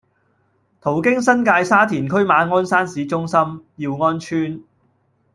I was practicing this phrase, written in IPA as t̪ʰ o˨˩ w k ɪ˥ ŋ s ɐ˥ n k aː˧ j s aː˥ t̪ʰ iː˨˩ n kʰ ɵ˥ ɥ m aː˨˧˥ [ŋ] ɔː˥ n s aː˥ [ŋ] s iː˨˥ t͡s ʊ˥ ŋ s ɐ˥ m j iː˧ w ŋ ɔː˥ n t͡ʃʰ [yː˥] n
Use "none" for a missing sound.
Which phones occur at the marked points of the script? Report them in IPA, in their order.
ŋ, n, yː˥

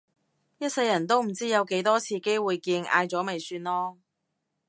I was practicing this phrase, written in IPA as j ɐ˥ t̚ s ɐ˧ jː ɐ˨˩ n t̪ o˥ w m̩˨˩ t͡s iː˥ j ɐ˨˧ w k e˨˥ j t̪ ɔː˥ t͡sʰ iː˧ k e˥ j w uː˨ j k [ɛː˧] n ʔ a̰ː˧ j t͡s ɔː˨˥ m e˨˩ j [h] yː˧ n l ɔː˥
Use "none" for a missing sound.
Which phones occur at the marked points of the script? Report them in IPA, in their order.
iː˧, s

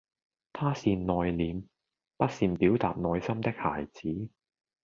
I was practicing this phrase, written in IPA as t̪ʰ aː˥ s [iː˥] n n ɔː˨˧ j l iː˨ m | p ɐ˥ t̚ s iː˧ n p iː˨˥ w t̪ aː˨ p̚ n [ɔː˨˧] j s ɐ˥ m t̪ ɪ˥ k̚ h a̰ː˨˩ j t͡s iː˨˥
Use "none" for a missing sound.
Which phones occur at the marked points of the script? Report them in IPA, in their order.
iː˧, ɔː˨˧

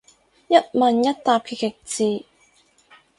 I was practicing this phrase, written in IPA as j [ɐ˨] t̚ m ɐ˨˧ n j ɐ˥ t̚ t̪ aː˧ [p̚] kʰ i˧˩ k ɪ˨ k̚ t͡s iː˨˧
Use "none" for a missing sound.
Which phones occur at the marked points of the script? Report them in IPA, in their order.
ɐ˥, p̚

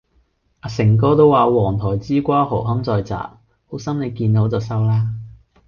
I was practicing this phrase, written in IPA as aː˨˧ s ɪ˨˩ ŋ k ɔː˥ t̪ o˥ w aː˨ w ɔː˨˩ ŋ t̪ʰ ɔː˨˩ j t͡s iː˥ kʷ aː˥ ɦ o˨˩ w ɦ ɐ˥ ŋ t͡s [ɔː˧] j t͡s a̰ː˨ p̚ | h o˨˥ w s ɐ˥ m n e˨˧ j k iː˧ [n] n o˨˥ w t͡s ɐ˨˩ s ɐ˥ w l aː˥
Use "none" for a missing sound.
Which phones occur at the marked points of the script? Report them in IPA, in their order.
ɔː˧, n

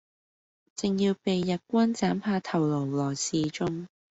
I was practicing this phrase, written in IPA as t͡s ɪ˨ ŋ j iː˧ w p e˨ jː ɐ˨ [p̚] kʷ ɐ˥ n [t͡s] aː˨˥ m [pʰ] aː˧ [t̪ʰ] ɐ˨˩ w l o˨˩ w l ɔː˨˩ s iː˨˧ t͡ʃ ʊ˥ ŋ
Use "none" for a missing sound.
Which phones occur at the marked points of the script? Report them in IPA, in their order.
t̚, t͡s, pʰ, t̪ʰ

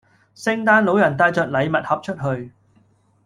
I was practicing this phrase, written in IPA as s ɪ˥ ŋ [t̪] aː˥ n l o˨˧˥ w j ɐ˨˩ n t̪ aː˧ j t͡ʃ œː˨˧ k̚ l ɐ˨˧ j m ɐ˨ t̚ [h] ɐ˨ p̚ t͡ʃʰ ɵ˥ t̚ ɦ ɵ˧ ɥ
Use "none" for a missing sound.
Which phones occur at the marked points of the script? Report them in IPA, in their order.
t̪, h

